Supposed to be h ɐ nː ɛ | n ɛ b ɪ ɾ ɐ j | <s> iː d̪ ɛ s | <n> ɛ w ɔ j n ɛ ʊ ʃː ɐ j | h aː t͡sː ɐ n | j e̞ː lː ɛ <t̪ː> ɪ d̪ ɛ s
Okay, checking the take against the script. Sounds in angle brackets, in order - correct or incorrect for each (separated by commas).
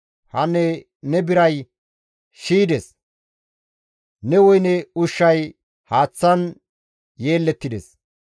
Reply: incorrect, correct, correct